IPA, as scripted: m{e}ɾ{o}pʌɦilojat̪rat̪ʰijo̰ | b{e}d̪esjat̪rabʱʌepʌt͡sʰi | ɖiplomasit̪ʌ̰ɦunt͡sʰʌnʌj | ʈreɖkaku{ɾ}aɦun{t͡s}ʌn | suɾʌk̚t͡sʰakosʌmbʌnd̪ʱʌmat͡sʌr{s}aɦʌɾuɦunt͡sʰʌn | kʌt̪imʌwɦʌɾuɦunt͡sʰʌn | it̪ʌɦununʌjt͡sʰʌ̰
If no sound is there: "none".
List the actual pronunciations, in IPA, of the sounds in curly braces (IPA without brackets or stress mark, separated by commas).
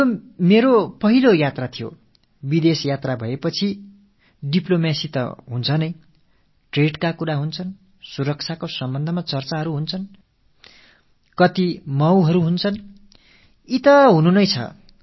e, o, i, ɾ, t͡sʰ, t͡s